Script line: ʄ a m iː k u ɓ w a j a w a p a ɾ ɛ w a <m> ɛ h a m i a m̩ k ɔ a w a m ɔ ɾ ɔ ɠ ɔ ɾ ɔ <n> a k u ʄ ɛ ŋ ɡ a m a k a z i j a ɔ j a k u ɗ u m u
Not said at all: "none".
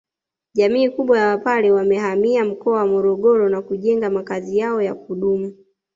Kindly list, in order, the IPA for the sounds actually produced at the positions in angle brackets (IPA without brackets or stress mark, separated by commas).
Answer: m, n